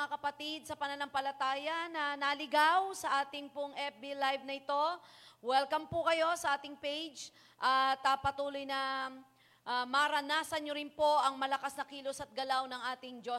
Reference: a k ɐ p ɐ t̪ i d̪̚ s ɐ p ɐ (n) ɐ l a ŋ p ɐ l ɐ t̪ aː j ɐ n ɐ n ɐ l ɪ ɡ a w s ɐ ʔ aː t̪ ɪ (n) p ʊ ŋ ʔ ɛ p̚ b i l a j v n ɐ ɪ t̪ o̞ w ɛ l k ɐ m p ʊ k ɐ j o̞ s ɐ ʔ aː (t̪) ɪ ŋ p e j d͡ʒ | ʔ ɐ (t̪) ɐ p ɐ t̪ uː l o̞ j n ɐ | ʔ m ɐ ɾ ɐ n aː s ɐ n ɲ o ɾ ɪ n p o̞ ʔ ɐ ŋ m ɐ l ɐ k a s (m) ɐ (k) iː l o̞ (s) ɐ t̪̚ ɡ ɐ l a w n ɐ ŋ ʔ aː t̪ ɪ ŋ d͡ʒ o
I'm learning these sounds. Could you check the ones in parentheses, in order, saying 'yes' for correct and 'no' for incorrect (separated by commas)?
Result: yes, no, yes, yes, no, yes, yes